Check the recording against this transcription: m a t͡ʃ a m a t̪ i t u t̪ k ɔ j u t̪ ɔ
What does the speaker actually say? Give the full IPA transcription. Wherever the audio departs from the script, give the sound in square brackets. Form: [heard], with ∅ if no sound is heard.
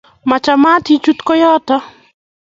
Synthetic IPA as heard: m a t͡ʃ a m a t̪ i [t͡ʃ] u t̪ k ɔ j [ɔ] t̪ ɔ